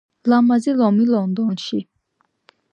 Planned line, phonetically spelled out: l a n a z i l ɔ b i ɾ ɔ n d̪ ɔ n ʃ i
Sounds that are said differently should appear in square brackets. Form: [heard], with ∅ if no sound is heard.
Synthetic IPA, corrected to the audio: l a [m] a z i l ɔ [m] i [l] ɔ n d̪ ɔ n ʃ i